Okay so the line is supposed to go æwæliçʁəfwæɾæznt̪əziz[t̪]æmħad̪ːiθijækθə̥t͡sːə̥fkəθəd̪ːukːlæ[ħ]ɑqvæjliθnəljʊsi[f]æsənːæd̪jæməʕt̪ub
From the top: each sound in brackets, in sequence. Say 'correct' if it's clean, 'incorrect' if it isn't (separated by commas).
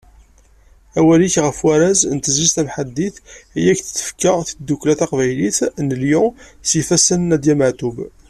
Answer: correct, incorrect, correct